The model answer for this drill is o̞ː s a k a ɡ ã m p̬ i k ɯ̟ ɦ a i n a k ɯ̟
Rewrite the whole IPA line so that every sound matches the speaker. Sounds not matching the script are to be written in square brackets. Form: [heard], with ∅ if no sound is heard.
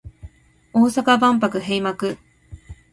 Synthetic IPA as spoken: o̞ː s a k a [b] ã m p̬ [a] k ɯ̟ ɦ [e] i [m] a k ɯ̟